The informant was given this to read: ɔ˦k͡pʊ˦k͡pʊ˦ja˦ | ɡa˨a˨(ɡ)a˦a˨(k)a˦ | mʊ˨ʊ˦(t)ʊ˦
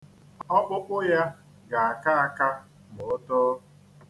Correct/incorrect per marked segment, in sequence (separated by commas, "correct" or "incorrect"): incorrect, correct, correct